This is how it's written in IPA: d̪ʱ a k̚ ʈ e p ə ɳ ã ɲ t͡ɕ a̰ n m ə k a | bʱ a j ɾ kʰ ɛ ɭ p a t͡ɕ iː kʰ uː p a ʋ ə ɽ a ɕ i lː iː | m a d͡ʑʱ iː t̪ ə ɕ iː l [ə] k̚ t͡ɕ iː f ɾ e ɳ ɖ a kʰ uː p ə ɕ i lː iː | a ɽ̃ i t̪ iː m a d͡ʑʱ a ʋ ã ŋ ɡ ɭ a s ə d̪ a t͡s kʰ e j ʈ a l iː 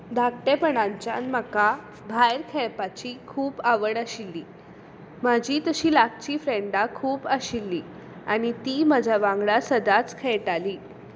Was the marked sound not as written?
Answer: yes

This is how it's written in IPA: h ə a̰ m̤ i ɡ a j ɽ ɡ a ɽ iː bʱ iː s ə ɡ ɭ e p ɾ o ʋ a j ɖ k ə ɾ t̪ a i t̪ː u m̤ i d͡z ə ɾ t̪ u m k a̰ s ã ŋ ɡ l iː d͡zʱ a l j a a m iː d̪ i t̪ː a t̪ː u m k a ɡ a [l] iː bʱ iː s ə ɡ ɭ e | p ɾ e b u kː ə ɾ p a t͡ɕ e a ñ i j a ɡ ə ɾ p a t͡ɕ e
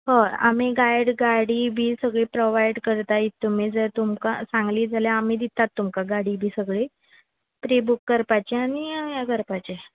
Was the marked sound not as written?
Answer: yes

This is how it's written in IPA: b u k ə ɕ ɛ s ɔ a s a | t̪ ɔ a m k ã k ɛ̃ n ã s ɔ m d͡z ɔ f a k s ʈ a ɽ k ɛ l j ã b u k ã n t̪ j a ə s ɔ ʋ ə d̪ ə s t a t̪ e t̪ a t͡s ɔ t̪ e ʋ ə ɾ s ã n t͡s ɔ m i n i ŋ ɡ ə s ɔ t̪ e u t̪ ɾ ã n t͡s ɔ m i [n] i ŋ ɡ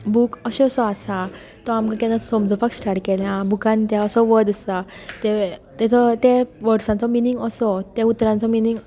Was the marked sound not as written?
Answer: no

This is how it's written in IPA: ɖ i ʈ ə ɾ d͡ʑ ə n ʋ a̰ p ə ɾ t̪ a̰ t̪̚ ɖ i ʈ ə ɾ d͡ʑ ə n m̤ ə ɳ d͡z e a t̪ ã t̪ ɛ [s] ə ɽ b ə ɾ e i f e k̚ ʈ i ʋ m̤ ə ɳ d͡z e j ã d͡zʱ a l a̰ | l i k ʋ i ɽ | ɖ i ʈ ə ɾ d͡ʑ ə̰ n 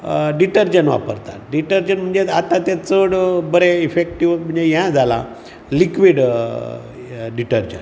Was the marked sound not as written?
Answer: yes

